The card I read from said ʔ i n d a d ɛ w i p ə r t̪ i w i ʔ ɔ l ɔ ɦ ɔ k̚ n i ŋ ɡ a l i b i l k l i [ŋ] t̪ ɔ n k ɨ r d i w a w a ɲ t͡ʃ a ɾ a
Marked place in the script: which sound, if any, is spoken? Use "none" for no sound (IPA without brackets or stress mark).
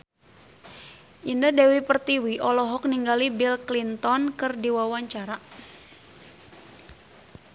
n